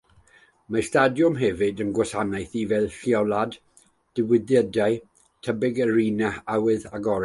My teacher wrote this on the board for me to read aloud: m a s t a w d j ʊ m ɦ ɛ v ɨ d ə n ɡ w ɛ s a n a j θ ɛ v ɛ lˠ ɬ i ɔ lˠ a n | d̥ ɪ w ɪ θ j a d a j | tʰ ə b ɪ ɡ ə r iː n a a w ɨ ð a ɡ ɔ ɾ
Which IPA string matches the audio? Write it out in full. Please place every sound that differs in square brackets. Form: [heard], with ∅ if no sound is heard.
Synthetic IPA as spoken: m a s t a [∅] d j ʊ m ɦ ɛ v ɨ d ə n ɡ w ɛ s a n a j θ [i] v ɛ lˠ ɬ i ɔ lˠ a [d] | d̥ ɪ w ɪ [ð] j [ə] d a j | tʰ ə b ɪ ɡ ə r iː n a a w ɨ ð a ɡ ɔ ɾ